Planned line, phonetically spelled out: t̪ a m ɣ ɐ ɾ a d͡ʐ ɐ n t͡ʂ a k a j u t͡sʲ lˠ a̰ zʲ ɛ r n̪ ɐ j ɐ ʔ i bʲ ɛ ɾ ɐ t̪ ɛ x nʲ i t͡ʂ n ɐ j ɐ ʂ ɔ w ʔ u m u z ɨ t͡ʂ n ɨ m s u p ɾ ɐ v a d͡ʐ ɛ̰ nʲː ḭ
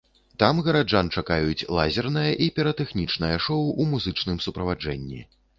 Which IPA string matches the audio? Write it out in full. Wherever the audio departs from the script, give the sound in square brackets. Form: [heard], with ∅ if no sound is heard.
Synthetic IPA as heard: t̪ a m ɣ ɐ ɾ a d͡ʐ [a] n t͡ʂ a k a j u t͡sʲ lˠ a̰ zʲ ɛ r n̪ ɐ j ɐ ʔ i [pʲ] ɛ ɾ ɐ t̪ ɛ x nʲ i t͡ʂ n ɐ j ɐ ʂ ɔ w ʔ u m u z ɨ t͡ʂ n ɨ m s u p ɾ ɐ v a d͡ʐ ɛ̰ nʲː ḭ